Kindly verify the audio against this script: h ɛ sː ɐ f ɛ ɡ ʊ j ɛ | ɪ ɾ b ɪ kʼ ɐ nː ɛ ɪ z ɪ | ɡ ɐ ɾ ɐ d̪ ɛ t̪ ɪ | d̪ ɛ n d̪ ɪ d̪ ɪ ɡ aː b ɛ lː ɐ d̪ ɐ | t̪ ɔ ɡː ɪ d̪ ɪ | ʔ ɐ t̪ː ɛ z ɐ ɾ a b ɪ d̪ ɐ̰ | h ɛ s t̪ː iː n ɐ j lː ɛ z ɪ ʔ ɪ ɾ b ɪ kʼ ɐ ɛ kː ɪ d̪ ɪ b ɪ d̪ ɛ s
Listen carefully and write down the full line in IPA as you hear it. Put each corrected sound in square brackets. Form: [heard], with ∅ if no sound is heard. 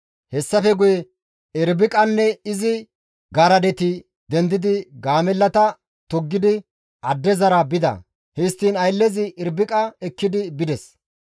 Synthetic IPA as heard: h ɛ sː ɐ f ɛ ɡ ʊ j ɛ | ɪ ɾ b ɪ kʼ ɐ nː ɛ ɪ z ɪ | ɡ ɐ ɾ ɐ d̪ ɛ t̪ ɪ | d̪ ɛ n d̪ ɪ d̪ ɪ ɡ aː [m] ɛ lː ɐ [t̪] ɐ | t̪ ɔ ɡː ɪ d̪ ɪ | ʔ ɐ [d̪ː] ɛ z ɐ ɾ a b ɪ d̪ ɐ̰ | h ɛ s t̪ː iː n ɐ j lː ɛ z ɪ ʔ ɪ ɾ b ɪ kʼ ɐ ɛ kː ɪ d̪ ɪ b ɪ d̪ ɛ s